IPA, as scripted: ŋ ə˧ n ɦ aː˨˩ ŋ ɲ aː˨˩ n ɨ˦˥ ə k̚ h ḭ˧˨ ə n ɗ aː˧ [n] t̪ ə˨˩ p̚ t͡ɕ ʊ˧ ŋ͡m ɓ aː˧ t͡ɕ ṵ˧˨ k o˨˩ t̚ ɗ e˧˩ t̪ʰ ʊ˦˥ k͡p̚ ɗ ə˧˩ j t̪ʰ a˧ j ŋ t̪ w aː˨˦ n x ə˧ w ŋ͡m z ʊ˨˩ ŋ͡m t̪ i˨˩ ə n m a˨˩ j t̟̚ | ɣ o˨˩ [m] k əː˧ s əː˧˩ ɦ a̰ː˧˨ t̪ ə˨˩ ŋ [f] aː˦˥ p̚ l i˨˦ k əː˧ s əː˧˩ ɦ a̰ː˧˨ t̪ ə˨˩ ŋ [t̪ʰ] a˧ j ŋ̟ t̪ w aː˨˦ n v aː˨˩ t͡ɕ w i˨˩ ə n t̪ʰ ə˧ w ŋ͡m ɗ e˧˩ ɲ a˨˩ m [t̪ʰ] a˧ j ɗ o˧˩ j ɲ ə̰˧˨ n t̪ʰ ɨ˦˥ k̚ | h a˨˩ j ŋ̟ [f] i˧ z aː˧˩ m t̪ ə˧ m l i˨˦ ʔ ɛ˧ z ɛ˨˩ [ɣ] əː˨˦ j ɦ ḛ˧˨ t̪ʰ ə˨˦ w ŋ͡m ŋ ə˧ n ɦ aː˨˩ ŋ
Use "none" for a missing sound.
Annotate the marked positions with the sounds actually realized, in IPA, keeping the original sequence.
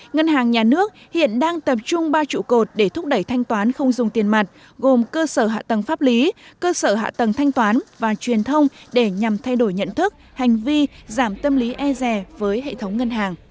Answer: ŋ, m, f, t̪ʰ, t̪ʰ, v, v

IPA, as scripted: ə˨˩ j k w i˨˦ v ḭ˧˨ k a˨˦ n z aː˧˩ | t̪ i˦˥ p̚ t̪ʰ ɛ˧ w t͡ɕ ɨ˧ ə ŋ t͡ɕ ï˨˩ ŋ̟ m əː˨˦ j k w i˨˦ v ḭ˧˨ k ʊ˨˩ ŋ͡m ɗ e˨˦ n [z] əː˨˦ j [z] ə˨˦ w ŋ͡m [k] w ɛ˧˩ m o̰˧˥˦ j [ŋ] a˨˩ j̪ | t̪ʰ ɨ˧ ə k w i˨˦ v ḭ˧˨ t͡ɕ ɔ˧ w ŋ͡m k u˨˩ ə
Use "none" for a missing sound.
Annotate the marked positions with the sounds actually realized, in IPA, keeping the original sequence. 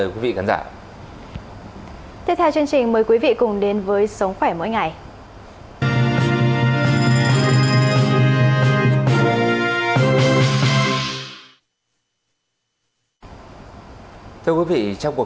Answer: v, s, x, ŋ

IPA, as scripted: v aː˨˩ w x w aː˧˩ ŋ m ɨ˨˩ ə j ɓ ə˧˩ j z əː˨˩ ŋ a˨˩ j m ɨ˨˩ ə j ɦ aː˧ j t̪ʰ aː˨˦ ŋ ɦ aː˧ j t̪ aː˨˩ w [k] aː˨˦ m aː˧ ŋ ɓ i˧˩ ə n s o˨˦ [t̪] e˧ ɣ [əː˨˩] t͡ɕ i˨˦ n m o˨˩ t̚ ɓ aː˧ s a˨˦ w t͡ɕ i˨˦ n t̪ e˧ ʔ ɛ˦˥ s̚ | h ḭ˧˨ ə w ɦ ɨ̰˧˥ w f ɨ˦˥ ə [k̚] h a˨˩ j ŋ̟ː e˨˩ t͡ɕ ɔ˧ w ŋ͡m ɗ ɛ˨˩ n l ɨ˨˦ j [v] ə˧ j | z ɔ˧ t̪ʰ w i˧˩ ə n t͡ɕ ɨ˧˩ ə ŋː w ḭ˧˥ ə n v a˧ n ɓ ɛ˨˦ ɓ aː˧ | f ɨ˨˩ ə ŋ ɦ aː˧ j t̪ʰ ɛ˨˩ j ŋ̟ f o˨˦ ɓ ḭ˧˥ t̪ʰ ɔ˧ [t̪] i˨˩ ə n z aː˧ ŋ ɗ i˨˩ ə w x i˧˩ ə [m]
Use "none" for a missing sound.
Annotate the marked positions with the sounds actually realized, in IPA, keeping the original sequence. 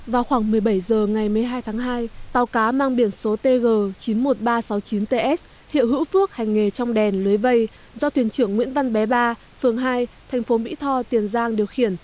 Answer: k, t̪, əː˨˩, k̚, v, t̪, n

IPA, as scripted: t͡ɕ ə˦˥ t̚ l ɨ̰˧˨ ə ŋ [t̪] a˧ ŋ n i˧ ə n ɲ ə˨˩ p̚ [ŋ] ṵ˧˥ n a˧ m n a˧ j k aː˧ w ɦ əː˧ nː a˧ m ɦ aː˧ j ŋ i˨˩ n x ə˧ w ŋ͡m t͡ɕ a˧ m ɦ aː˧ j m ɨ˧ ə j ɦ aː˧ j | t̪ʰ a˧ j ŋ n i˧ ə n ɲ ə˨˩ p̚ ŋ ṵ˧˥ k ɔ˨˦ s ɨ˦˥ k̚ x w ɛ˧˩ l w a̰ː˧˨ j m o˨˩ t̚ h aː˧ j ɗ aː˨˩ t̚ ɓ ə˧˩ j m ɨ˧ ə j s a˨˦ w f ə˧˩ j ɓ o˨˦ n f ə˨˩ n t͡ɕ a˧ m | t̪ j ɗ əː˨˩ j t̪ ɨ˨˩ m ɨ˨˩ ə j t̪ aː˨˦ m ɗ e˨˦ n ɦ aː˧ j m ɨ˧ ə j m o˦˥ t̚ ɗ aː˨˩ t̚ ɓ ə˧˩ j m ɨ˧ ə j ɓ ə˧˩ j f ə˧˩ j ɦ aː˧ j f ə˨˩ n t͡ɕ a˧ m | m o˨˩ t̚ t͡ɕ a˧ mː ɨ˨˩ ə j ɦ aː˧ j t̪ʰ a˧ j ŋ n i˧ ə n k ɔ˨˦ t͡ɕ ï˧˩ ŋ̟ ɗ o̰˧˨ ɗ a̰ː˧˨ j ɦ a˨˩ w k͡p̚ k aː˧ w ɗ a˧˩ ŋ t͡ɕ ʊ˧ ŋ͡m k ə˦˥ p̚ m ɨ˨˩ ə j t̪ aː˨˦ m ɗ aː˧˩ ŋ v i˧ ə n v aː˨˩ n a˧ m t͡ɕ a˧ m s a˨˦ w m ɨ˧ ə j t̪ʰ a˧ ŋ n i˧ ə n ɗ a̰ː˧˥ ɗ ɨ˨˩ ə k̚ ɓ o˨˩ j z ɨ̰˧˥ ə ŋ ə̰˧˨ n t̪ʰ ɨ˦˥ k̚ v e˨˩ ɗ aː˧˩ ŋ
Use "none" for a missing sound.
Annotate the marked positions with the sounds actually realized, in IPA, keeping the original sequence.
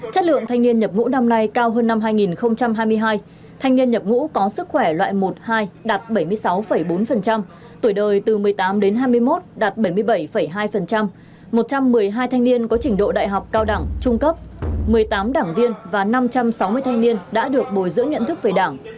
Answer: t̪ʰ, ŋ

